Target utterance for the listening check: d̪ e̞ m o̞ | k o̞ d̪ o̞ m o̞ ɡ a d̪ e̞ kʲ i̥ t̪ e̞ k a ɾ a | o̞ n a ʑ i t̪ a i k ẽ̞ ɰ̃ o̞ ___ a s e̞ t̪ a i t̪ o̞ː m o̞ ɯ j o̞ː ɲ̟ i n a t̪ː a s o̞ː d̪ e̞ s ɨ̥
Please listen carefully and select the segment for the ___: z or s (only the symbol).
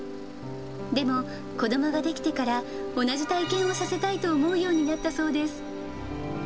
s